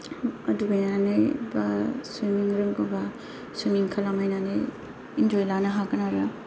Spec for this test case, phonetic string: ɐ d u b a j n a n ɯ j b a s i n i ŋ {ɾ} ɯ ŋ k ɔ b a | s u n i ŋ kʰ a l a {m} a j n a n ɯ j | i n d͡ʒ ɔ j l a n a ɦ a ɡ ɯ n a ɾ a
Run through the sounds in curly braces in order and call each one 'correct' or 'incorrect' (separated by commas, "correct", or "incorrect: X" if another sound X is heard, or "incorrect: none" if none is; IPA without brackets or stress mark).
correct, correct